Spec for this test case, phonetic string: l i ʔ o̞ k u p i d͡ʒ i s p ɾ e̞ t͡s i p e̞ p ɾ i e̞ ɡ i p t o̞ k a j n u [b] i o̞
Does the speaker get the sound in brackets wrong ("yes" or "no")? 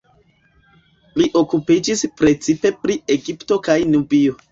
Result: no